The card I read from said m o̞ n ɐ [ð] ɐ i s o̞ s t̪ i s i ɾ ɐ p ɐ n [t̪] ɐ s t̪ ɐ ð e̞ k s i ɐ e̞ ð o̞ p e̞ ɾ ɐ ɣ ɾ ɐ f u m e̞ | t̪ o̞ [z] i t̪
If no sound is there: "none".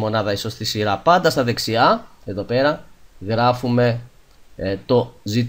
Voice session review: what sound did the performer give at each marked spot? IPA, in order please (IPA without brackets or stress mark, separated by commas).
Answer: ð, d̪, z